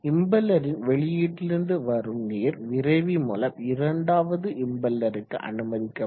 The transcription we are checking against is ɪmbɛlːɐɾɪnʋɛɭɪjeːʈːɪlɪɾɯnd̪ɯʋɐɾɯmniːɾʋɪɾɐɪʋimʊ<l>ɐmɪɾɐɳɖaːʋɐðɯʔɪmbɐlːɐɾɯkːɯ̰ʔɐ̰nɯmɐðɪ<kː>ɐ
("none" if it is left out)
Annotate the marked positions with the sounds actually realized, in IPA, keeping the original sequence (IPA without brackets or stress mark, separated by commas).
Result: l, kː